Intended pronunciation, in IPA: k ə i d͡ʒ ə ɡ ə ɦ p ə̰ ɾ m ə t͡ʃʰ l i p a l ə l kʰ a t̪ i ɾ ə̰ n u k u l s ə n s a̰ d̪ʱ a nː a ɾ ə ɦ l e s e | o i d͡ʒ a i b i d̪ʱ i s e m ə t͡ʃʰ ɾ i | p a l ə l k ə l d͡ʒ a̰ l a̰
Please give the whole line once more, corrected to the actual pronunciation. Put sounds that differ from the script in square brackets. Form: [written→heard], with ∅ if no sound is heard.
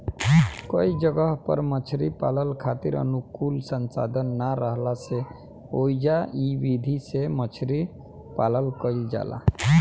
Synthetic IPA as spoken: k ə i d͡ʒ ə ɡ ə ɦ p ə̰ ɾ m ə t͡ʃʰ [l→ɾ] i p a l ə l kʰ a t̪ i ɾ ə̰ n u k u l s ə n s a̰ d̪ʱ [a→ə] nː a ɾ ə ɦ l [e→a] s e | o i d͡ʒ a i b i d̪ʱ i s e m ə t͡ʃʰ ɾ i | p a l ə l k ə l d͡ʒ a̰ l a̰